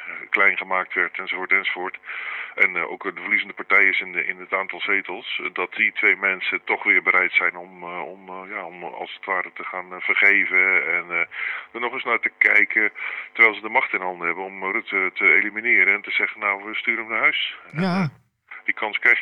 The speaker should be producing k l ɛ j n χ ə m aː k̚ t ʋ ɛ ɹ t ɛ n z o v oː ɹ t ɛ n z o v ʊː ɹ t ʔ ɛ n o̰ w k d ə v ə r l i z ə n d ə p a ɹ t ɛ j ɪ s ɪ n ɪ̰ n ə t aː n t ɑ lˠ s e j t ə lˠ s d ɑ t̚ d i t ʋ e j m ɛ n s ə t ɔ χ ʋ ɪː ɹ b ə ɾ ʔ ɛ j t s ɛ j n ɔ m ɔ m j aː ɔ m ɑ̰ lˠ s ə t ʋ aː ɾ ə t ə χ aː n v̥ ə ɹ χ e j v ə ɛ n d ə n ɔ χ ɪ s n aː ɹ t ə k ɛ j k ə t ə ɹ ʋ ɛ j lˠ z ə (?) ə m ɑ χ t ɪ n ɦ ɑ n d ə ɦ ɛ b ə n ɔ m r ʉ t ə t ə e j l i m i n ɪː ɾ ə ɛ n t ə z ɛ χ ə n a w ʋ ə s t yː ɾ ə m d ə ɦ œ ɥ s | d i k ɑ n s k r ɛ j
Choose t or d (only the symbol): d